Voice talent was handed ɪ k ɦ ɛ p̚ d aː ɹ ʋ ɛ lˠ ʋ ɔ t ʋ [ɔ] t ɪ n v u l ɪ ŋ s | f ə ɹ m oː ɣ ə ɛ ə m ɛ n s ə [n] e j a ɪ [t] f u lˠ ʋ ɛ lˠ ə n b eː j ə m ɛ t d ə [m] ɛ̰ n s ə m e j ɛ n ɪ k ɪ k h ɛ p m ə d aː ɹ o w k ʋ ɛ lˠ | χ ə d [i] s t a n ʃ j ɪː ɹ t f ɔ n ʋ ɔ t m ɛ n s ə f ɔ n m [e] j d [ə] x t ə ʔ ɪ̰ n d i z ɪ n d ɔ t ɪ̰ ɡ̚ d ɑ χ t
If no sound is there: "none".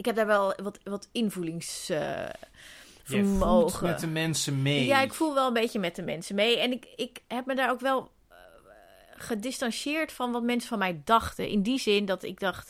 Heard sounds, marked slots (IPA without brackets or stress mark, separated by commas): ɔ, m, k, m, ɪ, ɛ, ɑ